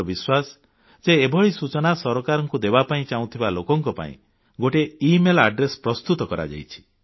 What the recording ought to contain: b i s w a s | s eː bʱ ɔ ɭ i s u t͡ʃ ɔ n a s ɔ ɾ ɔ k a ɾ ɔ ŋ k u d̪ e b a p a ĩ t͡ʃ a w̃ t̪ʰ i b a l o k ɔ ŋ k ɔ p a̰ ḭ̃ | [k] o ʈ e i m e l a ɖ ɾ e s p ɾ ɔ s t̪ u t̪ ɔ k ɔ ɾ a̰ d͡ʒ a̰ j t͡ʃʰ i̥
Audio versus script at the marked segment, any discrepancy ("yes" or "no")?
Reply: yes